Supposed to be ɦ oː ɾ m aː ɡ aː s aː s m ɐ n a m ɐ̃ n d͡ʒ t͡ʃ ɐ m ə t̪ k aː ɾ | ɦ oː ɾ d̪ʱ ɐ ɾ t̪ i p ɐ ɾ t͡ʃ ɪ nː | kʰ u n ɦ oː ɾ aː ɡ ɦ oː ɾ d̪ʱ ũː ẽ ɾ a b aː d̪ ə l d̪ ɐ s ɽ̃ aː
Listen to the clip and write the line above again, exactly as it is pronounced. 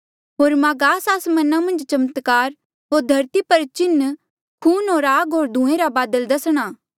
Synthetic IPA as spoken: ɦ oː ɾ m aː ɡ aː s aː s m ɐ n a m ɐ̃ n d͡ʒ t͡ʃ ɐ m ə t̪ k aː ɾ | ɦ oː ɾ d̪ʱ ɐ ɾ t̪ i p ɐ ɾ t͡ʃ ɪ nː | kʰ uː n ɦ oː ɾ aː ɡ ɦ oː ɾ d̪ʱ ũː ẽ ɾ a b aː d̪ ə l d̪ ɐ s ɽ̃ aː

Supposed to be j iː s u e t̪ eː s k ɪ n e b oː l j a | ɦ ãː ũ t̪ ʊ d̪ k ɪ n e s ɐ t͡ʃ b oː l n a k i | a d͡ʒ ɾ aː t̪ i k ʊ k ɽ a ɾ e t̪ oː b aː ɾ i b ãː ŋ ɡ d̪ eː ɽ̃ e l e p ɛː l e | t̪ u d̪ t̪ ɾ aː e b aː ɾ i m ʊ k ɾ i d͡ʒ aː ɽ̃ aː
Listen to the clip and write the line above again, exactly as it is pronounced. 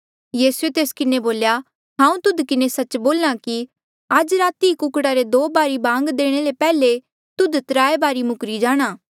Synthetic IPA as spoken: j iː s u e t̪ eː s k ɪ n e b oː l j a | ɦ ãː ũ t̪ ʊ d̪ k ɪ n e s ɐ t͡ʃ b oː l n a k i | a d͡ʒ ɾ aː t̪ i k ʊ k ɽ a ɾ e d̪ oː b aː ɾ i b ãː ŋ ɡ d̪ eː ɽ̃ e l e p ɛː l e | t̪ ʊ d̪ t̪ ɾ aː e b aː ɾ i m ʊ k ɾ i d͡ʒ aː ɽ̃ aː

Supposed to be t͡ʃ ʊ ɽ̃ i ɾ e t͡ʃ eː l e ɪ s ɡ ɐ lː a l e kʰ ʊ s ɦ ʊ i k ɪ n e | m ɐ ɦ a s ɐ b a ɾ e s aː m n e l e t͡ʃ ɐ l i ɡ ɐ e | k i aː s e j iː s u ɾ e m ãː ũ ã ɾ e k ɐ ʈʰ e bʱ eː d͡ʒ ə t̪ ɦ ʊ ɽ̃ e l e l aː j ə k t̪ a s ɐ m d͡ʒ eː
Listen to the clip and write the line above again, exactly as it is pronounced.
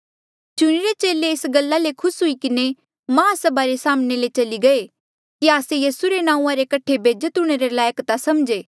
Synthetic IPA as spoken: t͡ʃ ʊ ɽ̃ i ɾ e t͡ʃ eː l e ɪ s ɡ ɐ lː a l e kʰ ʊ s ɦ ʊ i k ɪ n e | m ɐ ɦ a s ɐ b a ɾ e s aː m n e l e t͡ʃ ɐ l i ɡ ɐ e | k i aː s e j iː s u ɾ e n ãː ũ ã ɾ e k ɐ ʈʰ e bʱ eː d͡ʒ ə t̪ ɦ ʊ ɽ̃ e ɾ e l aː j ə k t̪ a s ɐ m d͡ʒ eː

